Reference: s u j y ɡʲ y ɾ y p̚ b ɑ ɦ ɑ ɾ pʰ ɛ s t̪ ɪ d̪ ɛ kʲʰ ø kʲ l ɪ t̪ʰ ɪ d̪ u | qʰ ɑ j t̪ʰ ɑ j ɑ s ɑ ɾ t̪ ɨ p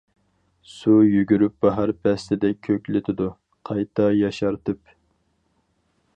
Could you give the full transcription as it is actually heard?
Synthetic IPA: s u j y ɡʲ y ɾ y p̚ b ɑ ɦ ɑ ɾ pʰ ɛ s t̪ ɪ d̪ ɛ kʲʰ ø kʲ l ɪ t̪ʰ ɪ d̪ u | qʰ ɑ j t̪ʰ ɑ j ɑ ʃ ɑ ɾ t̪ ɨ p